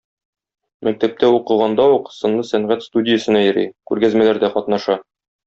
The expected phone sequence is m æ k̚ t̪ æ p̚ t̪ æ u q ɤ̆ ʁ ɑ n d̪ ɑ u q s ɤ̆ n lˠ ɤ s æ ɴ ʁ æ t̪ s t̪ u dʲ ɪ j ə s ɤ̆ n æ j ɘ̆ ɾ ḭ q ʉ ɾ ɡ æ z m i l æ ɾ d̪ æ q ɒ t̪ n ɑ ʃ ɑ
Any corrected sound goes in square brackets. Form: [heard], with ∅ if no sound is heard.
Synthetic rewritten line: m æ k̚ t̪ æ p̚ t̪ æ u q ɤ̆ ʁ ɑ n d̪ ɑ u q s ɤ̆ n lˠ ɤ s æ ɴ ʁ æ t̪ s t̪ u dʲ ɪ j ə s ɤ̆ n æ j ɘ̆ ɾ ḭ [k] ʉ ɾ ɡ æ z m [æ] l æ ɾ d̪ æ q ɒ t̪ n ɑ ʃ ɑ